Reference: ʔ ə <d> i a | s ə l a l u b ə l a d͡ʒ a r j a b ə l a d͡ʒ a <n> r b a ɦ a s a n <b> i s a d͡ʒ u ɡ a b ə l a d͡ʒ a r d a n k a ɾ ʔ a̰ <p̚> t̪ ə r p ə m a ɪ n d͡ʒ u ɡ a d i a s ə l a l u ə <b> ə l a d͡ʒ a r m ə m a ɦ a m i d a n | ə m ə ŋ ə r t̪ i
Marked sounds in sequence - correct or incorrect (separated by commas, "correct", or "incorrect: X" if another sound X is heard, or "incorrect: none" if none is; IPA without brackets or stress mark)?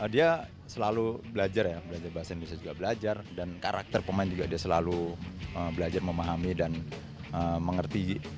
correct, incorrect: none, correct, incorrect: k̚, correct